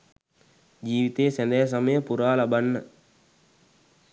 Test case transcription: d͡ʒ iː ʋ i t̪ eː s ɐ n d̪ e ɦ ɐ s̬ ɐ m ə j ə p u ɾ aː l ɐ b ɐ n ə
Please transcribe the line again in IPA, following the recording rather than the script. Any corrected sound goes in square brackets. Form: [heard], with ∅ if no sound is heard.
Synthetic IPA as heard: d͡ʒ iː ʋ i t̪ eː s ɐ n d̪ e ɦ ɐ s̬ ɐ m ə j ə p u ɾ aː l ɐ b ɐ [nː] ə